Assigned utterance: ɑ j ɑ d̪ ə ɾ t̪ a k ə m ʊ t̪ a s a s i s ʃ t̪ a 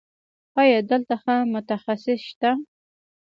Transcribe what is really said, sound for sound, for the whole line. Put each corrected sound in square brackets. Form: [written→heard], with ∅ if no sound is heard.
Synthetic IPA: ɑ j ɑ d̪ ə [ɾ→l] t̪ a [k→x] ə m ʊ t̪ a [s→x] a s [i→ɪ] s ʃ t̪ a

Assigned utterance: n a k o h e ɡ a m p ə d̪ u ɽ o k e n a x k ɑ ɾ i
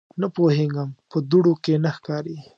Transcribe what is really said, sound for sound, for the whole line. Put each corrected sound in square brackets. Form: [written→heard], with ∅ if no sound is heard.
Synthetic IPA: n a [k→p] o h e ɡ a m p ə d̪ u ɽ o k e n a x k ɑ ɾ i

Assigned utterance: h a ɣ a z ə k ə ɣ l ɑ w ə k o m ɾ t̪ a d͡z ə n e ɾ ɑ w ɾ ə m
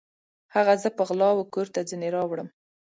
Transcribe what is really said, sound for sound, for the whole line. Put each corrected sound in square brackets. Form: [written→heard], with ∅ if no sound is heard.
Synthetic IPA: h a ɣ a z ə [k→p] ə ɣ l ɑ w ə k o [m→∅] ɾ t̪ a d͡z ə n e ɾ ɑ w [ɾ→ɽ] ə m

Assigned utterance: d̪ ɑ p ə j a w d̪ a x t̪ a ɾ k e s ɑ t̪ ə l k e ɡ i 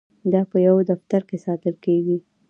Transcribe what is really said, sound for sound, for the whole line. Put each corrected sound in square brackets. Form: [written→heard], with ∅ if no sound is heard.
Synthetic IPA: d̪ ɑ p ə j a w d̪ a [x→f] t̪ a ɾ k e s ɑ t̪ ə l k e ɡ i

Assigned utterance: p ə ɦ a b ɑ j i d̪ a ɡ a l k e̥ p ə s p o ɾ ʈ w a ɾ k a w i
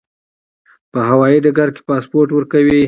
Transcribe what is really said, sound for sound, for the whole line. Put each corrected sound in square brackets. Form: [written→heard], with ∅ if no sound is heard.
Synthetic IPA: p ə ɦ a [b→w] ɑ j i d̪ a ɡ a [l→ɾ] k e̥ p [ə→ɑ] s p o ɾ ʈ w [a→ə] ɾ k a w i

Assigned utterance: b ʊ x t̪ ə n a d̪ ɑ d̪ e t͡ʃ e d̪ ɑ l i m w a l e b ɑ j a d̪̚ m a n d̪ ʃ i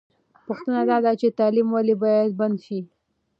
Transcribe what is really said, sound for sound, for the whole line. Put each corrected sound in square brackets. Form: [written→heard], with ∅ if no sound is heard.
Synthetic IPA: [b→p] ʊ x t̪ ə n a d̪ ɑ d̪ [e→a] t͡ʃ e [d̪→t̪] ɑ l i m w a l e b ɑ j a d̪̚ [m→b] a n d̪ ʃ i

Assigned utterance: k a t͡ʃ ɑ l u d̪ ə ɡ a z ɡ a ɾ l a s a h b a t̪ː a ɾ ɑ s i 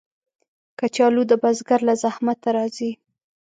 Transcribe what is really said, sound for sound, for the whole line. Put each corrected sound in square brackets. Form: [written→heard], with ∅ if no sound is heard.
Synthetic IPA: k a t͡ʃ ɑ l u d̪ ə [ɡ→b] a z ɡ a ɾ l a [s→z] a h [b→m] a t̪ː a ɾ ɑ [s→z] i

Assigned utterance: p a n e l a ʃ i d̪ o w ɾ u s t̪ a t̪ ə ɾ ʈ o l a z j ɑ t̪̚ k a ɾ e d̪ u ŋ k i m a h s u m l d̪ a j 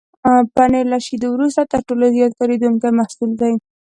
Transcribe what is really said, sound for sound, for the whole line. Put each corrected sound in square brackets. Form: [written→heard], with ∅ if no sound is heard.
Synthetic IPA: p a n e l a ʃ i d̪ o w ɾ u s t̪ a t̪ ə ɾ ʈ o l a z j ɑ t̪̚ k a ɾ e d̪ u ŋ k [i→a] m a h s u [m→∅] l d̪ a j

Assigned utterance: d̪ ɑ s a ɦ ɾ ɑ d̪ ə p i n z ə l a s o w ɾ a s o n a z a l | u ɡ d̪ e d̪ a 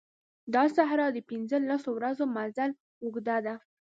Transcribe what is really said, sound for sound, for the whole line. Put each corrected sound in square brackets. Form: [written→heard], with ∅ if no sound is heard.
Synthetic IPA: d̪ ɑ s a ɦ ɾ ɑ d̪ ə p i n z ə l a s o w ɾ a [s→z] o [n→m] a z a l | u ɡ d̪ [e→a] d̪ a

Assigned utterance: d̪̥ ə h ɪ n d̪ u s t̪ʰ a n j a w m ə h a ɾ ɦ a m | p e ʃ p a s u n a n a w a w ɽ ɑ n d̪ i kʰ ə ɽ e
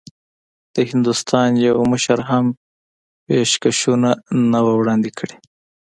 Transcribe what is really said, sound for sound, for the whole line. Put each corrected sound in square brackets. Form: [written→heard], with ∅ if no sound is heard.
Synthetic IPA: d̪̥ ə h ɪ n d̪ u s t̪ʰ [a→ɑ] n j a w m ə [h→ʃ] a ɾ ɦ a m | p e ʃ [p→k] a [s→ʃ] u n a n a w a w ɽ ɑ n d̪ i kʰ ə ɽ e

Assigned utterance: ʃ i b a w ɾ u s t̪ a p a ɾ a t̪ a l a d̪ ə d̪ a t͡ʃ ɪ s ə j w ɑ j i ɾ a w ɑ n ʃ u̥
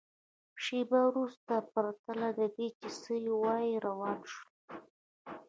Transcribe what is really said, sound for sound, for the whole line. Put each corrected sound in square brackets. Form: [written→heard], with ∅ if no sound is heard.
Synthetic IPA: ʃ [i→e] b a w ɾ u s t̪ a p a ɾ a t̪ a l a d̪ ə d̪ [a→e] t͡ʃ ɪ s ə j w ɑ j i ɾ a w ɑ n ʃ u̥

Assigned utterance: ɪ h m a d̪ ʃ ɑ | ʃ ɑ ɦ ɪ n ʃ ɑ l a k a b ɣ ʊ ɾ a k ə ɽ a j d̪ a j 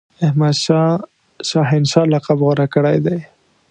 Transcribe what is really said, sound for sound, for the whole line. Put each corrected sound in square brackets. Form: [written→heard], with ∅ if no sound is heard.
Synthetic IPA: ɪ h m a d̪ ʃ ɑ | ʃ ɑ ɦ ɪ n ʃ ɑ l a [k→q] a b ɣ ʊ ɾ a k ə ɽ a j d̪ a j

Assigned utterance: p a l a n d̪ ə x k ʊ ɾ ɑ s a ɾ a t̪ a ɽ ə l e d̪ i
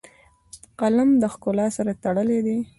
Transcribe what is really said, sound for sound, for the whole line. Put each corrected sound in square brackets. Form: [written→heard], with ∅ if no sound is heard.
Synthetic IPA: [p→q] a l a [n→m] d̪ ə x k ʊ [ɾ→l] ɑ s a ɾ a t̪ a ɽ ə l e d̪ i

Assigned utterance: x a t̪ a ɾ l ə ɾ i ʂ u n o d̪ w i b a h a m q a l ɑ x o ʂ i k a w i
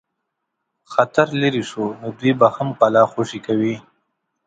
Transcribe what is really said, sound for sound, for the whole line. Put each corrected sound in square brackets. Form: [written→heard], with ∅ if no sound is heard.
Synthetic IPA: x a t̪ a ɾ l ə ɾ i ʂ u n o d̪ w i b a h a m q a l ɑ x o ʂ i k a w i

